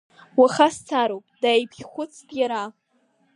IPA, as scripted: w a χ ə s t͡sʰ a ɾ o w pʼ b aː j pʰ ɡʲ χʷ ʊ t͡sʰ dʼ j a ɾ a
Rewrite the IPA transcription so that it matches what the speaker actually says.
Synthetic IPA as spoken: w a χ a s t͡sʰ a ɾ o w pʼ d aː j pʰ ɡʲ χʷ ʊ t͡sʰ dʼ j a ɾ a